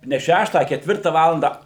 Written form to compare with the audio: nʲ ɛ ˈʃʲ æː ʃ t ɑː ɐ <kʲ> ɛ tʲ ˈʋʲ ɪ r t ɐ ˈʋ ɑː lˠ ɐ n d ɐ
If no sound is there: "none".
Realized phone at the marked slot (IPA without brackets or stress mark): kʲ